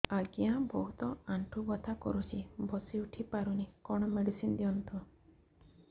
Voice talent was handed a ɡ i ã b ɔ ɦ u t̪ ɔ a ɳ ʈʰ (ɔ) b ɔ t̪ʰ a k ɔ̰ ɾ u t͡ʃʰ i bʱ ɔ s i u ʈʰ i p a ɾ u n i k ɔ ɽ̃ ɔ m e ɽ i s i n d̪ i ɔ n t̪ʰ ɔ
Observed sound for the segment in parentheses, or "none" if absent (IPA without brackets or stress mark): u